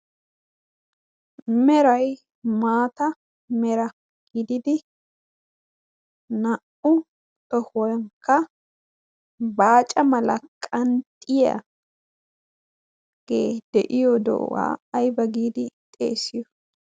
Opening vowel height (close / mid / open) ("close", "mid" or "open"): mid